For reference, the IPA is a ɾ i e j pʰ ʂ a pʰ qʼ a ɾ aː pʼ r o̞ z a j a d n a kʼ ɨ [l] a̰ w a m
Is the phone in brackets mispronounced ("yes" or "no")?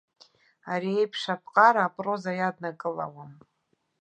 no